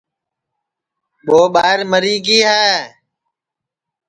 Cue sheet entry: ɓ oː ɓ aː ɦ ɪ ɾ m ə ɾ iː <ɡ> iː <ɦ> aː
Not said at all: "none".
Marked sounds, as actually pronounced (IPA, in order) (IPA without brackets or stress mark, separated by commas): ɡ, ɦ